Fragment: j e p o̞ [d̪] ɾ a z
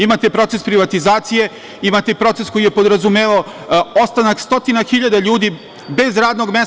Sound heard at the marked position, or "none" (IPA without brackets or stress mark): d̪